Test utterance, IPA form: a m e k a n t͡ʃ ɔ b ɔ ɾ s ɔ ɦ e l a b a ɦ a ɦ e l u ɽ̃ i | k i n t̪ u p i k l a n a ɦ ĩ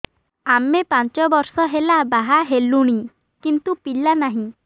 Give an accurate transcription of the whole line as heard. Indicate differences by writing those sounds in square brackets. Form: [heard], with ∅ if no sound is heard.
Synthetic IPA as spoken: a m e [p] a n t͡ʃ ɔ b ɔ ɾ s ɔ ɦ e l a b a ɦ a ɦ e l u ɽ̃ i | k i n t̪ u p i [∅] l a n a ɦ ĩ